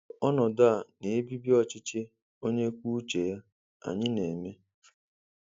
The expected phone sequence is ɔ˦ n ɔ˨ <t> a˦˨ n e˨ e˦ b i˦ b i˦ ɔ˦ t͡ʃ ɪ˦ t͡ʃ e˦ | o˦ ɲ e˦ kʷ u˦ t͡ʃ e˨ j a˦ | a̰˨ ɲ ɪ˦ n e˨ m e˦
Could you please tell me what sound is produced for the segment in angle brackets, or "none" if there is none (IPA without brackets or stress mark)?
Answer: d